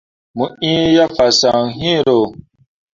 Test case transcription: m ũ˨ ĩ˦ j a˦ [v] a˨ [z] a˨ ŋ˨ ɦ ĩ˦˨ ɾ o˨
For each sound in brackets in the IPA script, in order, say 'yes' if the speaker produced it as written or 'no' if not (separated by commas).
no, no